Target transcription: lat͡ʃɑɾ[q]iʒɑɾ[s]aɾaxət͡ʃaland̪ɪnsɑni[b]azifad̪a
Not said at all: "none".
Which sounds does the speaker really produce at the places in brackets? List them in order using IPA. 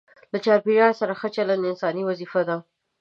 p, s, w

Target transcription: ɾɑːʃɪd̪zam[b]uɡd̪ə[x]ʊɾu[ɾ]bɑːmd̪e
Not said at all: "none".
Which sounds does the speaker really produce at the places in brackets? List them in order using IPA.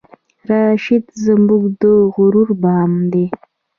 b, ɣ, ɾ

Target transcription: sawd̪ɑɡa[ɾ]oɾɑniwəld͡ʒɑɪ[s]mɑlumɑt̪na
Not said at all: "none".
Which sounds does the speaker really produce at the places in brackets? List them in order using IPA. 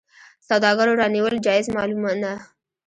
ɾ, z

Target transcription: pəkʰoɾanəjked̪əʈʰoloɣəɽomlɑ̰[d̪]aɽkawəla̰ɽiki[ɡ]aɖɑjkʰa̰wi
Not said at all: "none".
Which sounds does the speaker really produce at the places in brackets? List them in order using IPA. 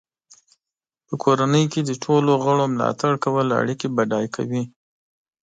t̪, b

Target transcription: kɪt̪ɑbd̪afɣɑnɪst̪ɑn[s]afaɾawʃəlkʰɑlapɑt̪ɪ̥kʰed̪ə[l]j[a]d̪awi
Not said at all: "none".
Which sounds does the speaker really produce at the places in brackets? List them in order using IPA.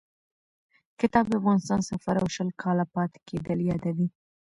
s, l, ɑ

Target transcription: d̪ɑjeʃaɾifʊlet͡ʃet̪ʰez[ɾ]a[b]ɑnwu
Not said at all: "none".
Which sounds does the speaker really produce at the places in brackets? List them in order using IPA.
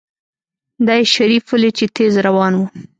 ɾ, w

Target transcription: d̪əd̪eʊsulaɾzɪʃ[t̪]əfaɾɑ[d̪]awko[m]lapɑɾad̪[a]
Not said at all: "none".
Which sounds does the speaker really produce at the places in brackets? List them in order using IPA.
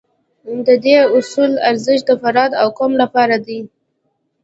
d̪, d̪, m, i

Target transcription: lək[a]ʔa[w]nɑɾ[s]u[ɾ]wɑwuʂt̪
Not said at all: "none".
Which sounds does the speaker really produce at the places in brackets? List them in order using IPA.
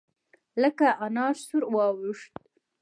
a, none, s, ɾ

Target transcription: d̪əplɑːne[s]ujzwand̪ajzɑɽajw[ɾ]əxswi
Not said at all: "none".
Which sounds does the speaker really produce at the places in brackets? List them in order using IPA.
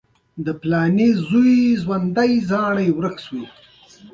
z, ɾ

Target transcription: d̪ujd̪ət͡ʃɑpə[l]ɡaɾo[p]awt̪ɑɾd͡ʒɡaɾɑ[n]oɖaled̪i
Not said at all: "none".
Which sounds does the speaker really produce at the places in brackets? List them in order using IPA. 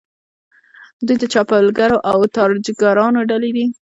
l, ʔ, n

